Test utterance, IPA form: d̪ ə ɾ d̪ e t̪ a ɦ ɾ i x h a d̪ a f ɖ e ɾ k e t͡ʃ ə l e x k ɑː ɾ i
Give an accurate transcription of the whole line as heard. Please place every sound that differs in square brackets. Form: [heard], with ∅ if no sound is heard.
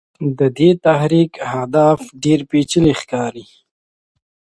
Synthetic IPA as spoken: d̪ ə [∅] d̪ e t̪ a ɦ ɾ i [k] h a d̪ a f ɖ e ɾ [p] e t͡ʃ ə l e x k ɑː ɾ i